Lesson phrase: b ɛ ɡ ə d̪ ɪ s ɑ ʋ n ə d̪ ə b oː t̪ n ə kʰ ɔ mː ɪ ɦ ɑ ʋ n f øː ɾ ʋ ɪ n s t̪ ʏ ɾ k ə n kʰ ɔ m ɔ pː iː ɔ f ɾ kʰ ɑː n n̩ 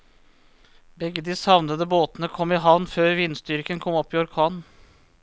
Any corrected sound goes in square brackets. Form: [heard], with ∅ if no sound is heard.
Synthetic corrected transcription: b ɛ ɡ ə d̪ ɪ s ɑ ʋ n ə d̪ ə b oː t̪ n ə kʰ ɔ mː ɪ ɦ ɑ ʋ n f øː ɾ ʋ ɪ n s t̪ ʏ ɾ k ə n kʰ ɔ m ɔ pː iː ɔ [∅] ɾ kʰ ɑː n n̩